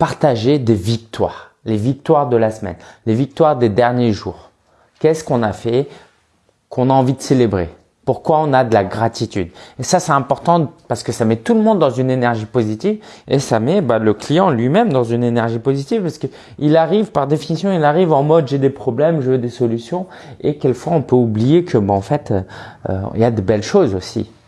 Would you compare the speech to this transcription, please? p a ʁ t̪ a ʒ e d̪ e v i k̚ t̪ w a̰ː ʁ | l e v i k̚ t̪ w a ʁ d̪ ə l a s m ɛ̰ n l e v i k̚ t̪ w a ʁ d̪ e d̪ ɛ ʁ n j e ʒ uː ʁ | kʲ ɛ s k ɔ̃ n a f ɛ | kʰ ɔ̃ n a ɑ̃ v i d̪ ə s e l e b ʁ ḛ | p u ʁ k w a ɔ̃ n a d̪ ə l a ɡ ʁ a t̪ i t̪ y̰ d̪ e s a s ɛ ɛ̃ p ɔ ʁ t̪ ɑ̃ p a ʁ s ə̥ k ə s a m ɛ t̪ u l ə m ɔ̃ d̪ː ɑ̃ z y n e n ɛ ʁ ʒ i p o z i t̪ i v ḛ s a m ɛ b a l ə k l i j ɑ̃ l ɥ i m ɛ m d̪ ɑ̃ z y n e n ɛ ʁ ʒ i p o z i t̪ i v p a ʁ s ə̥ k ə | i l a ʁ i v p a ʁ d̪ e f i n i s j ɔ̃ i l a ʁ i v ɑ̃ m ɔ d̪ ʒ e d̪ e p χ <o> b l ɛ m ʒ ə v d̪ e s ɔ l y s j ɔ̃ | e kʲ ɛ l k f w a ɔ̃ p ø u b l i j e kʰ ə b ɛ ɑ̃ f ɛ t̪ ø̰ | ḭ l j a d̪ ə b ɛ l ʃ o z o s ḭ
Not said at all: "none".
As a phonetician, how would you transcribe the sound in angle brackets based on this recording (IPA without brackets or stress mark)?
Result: ɔ